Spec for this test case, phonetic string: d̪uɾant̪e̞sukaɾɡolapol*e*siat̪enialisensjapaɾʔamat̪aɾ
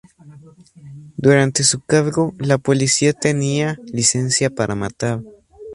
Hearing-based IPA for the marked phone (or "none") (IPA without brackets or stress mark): i